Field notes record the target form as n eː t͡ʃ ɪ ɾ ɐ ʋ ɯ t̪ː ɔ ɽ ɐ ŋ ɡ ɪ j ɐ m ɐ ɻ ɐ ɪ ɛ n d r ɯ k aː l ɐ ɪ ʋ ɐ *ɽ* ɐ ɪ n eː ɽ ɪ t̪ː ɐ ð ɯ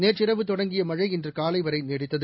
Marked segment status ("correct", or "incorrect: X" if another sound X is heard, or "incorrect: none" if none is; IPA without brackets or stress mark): incorrect: ɾ